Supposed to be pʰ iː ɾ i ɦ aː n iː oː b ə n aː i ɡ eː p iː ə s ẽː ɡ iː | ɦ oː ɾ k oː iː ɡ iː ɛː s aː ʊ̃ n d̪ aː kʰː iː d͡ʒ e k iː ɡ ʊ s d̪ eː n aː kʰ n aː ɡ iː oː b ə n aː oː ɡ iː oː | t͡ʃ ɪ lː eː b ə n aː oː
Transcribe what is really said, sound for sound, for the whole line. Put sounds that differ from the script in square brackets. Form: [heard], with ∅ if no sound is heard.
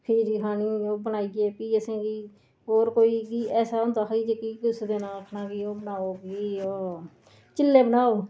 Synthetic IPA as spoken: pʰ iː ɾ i ɦ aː n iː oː b ə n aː i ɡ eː p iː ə s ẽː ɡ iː | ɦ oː ɾ k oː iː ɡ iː ɛː s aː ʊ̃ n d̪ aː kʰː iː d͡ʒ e k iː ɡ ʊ s d̪ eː n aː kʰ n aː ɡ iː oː b ə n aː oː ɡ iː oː | t͡ʃ ɪ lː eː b ə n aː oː